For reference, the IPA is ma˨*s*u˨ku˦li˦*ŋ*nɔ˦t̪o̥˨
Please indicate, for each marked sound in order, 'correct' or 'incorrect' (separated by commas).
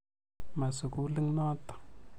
correct, correct